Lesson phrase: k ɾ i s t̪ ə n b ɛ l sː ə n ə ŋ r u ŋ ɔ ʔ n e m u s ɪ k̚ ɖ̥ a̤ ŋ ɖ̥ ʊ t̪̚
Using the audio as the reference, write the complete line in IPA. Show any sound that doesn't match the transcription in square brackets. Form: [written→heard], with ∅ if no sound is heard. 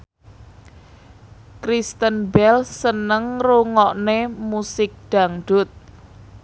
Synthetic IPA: k ɾ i s t̪ ə n b ɛ l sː ə n ə ŋ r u ŋ ɔ ʔ n e m u s ɪ k̚ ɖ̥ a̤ ŋ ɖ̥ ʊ t̪̚